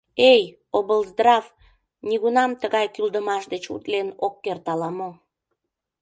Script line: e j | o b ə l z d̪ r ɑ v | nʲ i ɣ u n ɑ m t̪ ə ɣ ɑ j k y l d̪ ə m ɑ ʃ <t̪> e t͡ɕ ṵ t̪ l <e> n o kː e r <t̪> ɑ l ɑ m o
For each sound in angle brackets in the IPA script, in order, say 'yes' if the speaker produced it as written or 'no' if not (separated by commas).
no, yes, yes